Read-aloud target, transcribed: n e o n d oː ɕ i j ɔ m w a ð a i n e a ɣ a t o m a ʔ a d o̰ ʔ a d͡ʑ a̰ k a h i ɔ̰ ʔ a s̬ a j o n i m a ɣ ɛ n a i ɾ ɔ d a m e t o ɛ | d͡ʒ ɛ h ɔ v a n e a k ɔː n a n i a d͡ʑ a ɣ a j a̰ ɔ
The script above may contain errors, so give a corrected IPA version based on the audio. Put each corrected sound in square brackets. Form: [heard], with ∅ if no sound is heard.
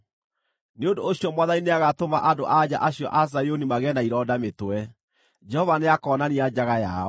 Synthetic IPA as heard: n e o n d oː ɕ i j ɔ m w a ð a i n e a ɣ a t o m a ʔ a d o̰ ʔ a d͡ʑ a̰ [ʔ] a [ɕ] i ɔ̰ ʔ a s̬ a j o n i m a ɣ ɛ n a i ɾ ɔ d a m e t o ɛ | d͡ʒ ɛ h ɔ v a n e a k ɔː n a n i a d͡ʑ a ɣ a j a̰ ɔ

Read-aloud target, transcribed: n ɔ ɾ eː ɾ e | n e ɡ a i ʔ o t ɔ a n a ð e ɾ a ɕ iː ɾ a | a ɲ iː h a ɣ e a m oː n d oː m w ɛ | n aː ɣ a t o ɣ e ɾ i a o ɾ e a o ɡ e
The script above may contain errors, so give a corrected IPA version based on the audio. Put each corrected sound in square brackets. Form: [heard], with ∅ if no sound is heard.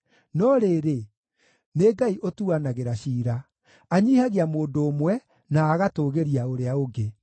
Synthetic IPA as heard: n ɔ ɾ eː ɾ e | n e ɡ a i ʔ o t [u] a n a [ɣ] e ɾ a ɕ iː ɾ a | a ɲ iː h a ɣ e a m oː n d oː m w ɛ | n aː ɣ a t o ɣ e ɾ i a o ɾ e a o ɡ e

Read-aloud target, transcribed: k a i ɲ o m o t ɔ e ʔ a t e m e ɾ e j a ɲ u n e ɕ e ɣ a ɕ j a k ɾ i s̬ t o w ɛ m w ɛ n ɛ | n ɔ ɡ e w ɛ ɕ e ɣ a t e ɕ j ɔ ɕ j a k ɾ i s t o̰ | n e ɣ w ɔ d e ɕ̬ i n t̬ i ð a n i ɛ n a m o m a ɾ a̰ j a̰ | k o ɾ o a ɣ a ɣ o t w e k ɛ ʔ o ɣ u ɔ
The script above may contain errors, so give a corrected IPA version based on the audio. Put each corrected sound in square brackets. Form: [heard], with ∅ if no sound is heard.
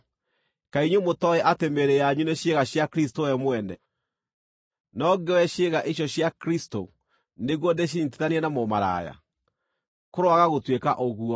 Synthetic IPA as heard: k a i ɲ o m o t ɔ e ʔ a t e m e ɾ e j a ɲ u n e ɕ e ɣ a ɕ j a k ɾ i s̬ t o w ɛ m w ɛ n ɛ | n ɔ ɡ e w ɛ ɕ e ɣ a [ʔ] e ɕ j ɔ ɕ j a k ɾ i s t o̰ | n e ɣ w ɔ d e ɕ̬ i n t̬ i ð a n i ɛ n a m o m a ɾ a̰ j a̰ | k o ɾ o a ɣ a ɣ o t w e k [a] ʔ o ɣ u ɔ

